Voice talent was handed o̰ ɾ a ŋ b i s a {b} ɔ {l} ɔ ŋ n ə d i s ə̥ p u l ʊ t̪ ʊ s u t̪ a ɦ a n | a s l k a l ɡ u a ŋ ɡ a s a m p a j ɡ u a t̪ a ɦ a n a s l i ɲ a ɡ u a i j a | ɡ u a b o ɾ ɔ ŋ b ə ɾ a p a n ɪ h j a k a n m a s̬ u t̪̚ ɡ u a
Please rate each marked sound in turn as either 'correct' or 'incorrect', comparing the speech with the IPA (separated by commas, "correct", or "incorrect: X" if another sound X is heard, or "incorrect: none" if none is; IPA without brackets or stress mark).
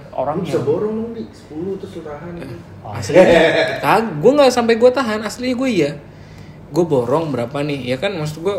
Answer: correct, incorrect: ɾ